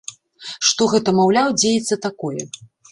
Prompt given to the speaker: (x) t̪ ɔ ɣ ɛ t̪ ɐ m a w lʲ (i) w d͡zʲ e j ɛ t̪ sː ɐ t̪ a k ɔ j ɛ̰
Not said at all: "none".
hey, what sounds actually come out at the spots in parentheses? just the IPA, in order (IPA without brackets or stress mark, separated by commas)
ʂ, a